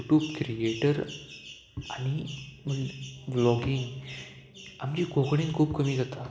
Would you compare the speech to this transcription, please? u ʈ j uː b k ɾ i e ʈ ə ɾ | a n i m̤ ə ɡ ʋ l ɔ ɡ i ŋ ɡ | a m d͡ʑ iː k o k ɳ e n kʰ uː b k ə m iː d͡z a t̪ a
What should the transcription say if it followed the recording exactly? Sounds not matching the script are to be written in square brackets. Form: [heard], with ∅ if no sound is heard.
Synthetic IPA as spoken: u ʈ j uː b k ɾ i e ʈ ə ɾ | a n i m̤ ə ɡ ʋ l ɔ ɡ i ŋ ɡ | a m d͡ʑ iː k o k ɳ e n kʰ uː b k ə m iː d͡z a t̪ a